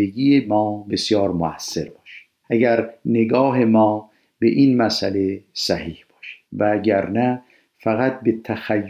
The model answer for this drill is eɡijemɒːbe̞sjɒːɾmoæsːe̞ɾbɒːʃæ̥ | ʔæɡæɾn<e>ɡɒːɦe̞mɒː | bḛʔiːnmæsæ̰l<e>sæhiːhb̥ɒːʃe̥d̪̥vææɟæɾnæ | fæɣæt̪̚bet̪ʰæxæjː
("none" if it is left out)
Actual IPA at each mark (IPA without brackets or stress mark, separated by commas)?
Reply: e, e